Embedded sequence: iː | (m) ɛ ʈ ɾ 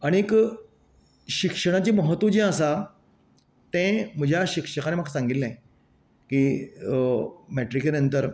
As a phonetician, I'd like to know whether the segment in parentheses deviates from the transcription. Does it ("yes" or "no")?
no